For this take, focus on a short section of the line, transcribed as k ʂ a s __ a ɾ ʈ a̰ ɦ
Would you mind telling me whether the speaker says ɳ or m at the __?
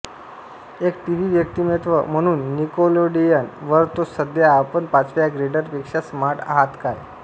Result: m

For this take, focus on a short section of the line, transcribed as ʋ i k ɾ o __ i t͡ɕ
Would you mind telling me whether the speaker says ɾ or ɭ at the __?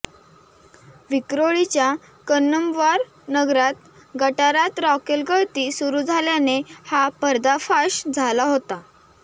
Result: ɭ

